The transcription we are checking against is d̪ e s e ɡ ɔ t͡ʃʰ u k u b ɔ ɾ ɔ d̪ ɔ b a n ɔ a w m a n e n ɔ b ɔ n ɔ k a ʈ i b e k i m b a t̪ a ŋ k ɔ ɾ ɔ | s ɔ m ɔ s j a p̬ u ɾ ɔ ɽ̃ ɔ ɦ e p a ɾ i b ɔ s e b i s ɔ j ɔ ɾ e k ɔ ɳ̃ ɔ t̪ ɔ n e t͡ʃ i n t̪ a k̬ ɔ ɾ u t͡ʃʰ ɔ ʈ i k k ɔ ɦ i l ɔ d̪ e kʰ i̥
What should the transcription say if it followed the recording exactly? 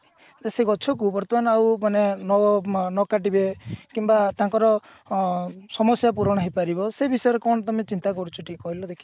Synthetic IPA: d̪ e s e ɡ ɔ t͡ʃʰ ɔ k u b ɔ ɾ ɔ t̪ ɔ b a n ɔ a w m a n e n ɔ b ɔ n ɔ k a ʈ i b e k i m b a t̪ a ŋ k ɔ ɾ ɔ | s ɔ m ɔ s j a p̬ u ɾ ɔ ɽ̃ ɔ ɦ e p a ɾ i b ɔ s e b i s ɔ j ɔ ɾ e k ɔ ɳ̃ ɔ t̪ ɔ m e t͡ʃ i n t̪ a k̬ ɔ ɾ u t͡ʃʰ ɔ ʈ i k k ɔ ɦ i l ɔ d̪ e kʰ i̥